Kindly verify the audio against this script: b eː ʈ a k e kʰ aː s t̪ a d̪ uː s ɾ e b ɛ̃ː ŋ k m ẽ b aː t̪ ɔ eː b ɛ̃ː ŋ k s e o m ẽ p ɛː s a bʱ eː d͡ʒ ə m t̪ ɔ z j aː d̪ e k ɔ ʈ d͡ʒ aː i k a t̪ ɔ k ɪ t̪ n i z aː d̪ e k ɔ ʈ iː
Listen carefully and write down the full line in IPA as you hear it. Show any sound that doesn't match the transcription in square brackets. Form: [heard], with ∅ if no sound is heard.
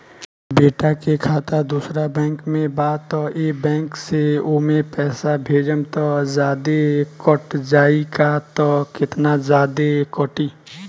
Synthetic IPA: b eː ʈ a k e kʰ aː [∅] t̪ a d̪ uː s ɾ [a] b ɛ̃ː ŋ k m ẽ b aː t̪ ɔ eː b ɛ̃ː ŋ k s e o m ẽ p ɛː s a bʱ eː d͡ʒ ə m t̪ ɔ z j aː d̪ e k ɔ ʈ d͡ʒ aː i k a t̪ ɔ k ɪ t̪ n [a] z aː d̪ e k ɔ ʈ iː